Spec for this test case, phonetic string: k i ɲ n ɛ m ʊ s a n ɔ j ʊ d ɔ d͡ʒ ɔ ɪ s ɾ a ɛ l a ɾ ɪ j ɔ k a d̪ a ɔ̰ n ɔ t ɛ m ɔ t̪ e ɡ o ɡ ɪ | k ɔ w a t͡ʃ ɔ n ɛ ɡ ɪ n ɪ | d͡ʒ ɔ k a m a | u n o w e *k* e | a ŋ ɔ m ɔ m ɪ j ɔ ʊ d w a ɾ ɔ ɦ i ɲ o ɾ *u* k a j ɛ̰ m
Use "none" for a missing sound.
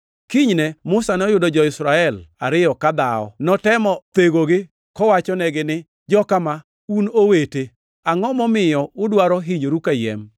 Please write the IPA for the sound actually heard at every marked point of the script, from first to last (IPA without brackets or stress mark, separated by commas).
t, u